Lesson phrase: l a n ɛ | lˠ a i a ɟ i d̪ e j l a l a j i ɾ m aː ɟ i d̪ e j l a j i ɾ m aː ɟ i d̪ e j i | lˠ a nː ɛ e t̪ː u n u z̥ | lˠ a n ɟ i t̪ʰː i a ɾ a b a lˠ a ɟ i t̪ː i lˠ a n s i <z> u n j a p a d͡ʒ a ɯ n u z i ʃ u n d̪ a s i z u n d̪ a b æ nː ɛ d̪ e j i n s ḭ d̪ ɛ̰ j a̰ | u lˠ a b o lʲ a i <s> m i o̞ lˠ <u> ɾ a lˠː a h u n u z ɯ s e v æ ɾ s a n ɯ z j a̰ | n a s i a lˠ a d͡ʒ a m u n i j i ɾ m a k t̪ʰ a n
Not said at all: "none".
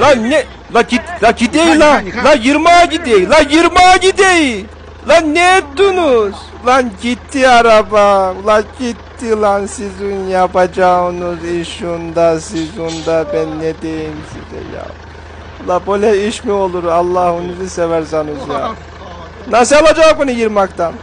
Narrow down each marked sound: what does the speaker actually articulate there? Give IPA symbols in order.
z, ʃ, u

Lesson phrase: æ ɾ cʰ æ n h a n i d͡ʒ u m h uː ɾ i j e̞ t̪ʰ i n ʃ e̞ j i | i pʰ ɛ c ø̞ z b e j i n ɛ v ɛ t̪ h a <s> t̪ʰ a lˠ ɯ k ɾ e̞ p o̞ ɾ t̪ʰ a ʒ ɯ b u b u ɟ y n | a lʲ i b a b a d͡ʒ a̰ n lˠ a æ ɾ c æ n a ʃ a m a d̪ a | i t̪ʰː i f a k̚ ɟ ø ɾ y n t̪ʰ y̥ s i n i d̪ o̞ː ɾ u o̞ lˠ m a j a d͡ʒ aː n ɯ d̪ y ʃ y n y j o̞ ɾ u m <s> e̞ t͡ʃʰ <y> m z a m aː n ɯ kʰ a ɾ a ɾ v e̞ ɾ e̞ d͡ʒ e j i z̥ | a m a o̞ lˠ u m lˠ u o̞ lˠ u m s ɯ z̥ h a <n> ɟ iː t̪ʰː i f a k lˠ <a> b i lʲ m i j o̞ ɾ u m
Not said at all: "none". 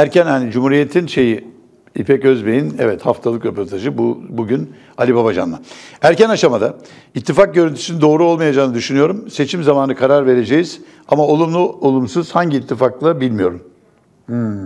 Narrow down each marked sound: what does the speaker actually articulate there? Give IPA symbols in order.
f, s, i, ɲ, a

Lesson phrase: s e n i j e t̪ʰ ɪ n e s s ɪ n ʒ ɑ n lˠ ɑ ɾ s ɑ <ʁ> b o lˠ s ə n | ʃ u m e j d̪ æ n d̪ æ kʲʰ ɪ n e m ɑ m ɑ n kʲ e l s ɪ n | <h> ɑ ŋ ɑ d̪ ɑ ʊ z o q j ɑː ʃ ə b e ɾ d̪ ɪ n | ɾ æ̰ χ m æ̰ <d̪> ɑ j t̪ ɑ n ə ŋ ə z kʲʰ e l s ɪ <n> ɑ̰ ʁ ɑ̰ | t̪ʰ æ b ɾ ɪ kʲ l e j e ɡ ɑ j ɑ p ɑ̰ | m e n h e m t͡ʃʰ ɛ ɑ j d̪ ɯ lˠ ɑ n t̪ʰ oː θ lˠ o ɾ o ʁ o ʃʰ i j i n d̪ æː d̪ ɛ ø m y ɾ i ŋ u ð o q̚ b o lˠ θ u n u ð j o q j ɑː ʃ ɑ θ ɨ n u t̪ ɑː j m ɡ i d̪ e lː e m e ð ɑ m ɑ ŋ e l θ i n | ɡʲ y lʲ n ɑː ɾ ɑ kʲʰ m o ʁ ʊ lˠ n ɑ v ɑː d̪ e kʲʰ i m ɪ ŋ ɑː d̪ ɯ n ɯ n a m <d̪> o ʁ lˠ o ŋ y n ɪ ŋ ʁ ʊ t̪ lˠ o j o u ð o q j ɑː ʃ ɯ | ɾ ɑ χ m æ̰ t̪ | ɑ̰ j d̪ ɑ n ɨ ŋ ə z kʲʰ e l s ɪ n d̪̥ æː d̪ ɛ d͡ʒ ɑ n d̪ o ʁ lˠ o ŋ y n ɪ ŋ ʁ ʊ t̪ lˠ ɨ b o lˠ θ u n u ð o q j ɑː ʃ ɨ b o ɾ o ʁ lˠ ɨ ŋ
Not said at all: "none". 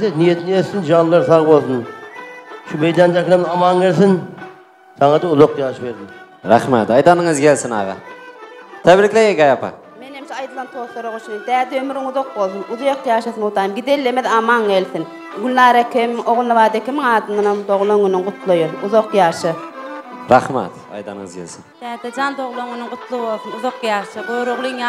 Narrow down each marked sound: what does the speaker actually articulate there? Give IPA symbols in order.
ʁ, s, t̪, n, d̪

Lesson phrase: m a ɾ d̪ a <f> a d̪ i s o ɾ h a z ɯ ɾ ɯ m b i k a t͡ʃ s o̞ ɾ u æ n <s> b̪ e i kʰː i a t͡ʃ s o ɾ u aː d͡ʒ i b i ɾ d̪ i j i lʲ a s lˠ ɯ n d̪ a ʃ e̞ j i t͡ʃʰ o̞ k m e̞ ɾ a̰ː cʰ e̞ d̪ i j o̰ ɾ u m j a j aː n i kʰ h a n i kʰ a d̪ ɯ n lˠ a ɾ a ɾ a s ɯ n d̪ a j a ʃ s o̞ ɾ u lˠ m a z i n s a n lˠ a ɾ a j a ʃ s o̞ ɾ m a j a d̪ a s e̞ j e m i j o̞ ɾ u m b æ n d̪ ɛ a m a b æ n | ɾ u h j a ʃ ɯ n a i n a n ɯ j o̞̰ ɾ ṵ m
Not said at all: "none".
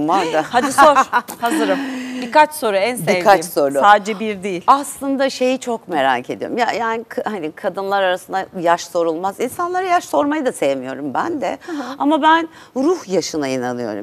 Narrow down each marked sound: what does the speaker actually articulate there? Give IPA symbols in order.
h, s

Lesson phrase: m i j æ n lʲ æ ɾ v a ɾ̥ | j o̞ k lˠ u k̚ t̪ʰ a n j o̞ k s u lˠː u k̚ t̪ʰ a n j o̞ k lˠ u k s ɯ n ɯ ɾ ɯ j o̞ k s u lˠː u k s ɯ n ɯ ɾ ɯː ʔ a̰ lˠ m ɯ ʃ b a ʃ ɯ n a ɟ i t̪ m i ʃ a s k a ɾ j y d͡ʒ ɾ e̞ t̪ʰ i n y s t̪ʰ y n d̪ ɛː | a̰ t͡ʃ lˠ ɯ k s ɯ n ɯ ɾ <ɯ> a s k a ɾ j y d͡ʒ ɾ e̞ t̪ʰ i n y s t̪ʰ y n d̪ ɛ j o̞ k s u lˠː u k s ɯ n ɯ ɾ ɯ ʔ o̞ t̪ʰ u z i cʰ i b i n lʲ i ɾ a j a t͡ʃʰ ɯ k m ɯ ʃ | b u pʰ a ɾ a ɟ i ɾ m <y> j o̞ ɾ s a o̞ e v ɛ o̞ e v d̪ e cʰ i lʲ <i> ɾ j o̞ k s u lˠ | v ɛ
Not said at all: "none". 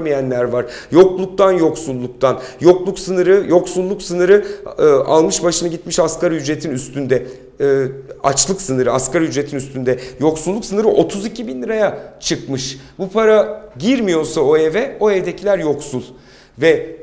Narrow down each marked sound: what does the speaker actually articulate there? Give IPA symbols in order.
ɯ, i, æ

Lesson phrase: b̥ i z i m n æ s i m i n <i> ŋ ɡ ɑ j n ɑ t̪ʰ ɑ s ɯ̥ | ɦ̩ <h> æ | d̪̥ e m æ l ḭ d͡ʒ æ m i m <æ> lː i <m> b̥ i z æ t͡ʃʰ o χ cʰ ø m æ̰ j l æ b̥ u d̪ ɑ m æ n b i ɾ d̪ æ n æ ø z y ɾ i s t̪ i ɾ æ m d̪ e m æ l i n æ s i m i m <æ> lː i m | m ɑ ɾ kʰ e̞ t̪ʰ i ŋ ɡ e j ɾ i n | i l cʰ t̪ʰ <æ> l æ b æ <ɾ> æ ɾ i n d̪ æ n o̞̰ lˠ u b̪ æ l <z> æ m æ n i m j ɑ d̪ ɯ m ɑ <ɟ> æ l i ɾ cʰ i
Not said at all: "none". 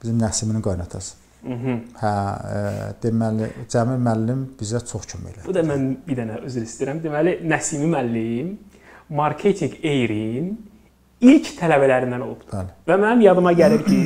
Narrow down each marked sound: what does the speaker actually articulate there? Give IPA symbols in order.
i, h, æ, m, æ, æ, l, v, ɟ

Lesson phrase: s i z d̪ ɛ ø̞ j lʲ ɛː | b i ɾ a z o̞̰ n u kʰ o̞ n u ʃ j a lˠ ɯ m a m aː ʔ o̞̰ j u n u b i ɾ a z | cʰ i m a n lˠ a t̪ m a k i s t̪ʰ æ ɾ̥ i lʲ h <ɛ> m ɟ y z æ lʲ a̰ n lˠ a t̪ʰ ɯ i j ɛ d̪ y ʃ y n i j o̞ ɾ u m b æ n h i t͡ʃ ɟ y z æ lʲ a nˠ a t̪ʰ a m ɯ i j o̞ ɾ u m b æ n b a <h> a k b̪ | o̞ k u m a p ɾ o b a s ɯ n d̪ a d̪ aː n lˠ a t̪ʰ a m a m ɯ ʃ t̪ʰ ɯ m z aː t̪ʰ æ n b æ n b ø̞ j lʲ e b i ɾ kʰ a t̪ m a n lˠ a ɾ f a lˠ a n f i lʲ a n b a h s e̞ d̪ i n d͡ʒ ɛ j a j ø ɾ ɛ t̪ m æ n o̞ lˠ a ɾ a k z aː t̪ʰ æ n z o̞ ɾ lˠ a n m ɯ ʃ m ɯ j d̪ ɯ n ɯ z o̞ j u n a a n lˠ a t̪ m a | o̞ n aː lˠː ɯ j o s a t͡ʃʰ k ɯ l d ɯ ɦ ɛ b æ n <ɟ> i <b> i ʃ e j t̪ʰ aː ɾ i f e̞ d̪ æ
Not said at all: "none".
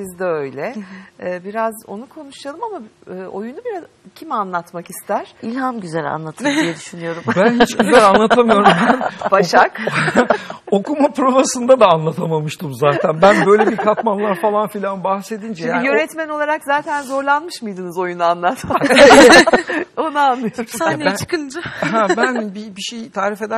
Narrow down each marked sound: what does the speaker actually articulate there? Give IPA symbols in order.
a, ʃ, b, b

